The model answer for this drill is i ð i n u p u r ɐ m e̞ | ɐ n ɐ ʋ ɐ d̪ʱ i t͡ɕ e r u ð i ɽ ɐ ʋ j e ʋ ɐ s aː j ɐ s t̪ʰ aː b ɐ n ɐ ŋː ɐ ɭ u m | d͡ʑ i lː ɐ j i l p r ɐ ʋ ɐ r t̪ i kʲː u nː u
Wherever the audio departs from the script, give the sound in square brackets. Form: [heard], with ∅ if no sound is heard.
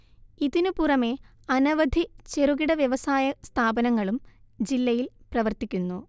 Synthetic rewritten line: i ð i n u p u r ɐ m e̞ | ɐ n ɐ ʋ ɐ d̪ʱ i t͡ɕ e r u [ɣ] i ɽ ɐ ʋ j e ʋ ɐ s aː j ɐ s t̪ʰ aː b ɐ n ɐ ŋː ɐ ɭ u m | d͡ʑ i lː ɐ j i l p r ɐ ʋ ɐ r t̪ i kʲː u nː u